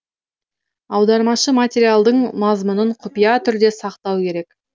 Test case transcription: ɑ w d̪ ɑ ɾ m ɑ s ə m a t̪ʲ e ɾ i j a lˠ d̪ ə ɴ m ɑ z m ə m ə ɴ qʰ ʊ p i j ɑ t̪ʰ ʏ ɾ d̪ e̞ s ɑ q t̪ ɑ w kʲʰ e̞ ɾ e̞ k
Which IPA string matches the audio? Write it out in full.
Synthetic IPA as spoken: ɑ w d̪ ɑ ɾ m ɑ ʃ ə m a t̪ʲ e ɾ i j a lˠ d̪ ə ɴ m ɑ z m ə n ə ɴ qʰ ʊ p i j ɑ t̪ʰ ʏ ɾ d̪ e̞ s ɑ q t̪ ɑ w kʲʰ e̞ ɾ e̞ k